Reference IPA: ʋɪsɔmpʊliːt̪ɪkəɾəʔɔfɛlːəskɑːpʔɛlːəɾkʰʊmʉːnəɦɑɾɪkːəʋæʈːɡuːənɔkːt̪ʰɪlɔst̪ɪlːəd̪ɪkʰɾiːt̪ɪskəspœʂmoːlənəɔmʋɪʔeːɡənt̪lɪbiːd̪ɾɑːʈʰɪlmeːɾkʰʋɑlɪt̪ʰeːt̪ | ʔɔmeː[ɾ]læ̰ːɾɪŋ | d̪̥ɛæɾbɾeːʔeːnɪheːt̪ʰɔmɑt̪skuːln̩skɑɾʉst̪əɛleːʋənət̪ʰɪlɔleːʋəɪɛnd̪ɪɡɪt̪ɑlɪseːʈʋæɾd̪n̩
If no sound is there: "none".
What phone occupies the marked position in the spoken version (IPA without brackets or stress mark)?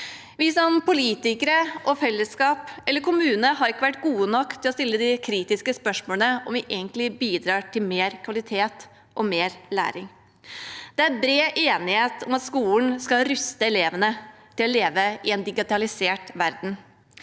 ɾ